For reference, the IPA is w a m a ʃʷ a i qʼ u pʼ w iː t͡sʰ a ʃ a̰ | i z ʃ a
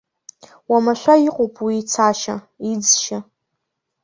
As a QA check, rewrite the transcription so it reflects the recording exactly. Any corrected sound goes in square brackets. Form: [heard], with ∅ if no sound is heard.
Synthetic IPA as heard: w a m a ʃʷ a i qʼ [o] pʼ w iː t͡sʰ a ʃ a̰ | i [d͡z] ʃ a